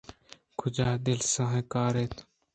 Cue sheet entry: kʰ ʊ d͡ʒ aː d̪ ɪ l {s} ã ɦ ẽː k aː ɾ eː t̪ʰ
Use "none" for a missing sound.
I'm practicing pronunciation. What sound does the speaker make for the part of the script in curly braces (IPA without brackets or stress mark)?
s